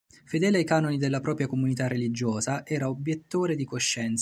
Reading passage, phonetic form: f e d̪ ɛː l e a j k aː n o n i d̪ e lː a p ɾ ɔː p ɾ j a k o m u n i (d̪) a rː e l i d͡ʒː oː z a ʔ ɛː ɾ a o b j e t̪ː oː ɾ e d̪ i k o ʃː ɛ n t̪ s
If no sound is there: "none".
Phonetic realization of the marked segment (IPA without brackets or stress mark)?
t̪